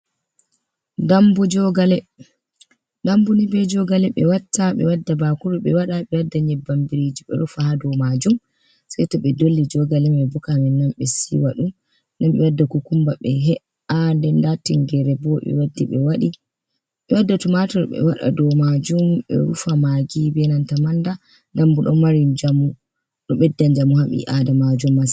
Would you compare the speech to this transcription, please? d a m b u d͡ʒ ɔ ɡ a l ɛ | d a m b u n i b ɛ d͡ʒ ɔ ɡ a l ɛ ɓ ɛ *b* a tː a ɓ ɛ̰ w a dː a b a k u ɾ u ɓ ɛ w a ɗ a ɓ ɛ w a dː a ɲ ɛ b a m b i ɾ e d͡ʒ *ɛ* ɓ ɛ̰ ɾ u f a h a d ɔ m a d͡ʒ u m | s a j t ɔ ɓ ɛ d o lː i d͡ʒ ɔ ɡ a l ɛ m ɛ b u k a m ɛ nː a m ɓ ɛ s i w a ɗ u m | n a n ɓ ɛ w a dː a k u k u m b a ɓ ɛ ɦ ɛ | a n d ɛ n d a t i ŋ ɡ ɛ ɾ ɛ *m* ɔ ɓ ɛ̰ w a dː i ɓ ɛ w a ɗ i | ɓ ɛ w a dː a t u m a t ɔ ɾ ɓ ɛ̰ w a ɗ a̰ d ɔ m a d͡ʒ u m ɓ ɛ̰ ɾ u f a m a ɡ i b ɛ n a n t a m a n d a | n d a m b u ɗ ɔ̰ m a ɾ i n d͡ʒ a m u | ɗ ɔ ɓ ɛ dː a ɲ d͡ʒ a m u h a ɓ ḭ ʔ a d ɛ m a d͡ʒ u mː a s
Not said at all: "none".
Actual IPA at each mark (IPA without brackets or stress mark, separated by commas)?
w, i, b